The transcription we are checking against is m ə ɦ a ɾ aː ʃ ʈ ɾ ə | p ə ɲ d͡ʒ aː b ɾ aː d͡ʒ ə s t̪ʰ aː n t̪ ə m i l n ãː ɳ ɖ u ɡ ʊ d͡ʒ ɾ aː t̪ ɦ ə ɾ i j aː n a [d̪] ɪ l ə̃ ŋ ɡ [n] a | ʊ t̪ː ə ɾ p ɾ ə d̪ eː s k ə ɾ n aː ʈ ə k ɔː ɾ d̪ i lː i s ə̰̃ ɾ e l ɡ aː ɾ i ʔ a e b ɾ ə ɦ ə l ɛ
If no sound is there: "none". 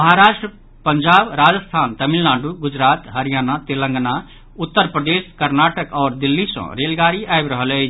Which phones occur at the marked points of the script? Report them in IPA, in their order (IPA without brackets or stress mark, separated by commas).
t̪, n